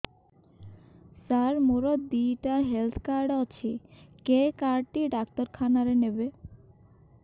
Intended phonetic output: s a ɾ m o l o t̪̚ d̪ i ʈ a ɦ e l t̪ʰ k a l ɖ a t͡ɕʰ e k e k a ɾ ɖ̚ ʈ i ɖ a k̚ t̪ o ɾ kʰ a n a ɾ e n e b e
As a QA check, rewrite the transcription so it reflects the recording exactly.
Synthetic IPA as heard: s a ɾ m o ɾ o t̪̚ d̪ i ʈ a ɦ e l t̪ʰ k a ɾ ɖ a t͡ɕʰ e k e k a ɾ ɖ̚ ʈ i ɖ a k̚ t̪ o ɾ kʰ a n a ɾ e n e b e